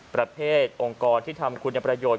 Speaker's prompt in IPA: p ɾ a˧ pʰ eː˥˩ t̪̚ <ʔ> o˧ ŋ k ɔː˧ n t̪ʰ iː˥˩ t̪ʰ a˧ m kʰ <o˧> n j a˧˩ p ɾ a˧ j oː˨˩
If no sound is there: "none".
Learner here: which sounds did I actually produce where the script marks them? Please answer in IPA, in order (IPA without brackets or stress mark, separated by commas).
ʔ, u˧